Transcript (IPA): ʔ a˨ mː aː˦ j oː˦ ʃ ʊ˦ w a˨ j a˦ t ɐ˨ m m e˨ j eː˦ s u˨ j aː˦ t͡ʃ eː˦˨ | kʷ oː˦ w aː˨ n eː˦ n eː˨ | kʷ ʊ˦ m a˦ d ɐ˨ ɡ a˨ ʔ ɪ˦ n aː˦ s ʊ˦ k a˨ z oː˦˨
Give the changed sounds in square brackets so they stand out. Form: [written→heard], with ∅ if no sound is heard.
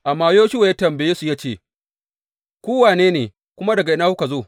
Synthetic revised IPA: ʔ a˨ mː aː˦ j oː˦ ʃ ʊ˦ w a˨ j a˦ t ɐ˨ m [m→b] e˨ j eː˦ s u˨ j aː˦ t͡ʃ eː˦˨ | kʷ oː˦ w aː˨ n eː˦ n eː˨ | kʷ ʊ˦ m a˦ d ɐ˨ ɡ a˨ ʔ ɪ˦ n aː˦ [s→h] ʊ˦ k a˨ z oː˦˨